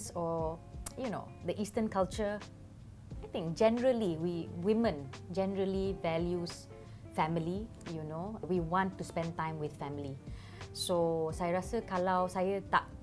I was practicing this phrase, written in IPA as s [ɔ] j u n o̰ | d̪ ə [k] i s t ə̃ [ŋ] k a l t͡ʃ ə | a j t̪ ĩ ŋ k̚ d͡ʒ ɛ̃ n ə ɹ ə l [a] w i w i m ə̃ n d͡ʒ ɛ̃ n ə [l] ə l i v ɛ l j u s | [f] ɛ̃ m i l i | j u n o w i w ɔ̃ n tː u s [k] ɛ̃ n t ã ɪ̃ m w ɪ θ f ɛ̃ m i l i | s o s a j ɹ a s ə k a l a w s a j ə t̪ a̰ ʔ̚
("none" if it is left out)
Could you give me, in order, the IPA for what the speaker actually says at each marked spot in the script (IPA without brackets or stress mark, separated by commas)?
ɔ, ʔ, n, i, ɹ, f, p